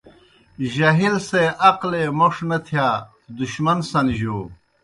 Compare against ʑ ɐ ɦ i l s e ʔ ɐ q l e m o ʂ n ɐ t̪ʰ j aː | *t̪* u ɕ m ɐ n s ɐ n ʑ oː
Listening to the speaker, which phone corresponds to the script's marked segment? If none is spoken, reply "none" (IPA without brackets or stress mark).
d̪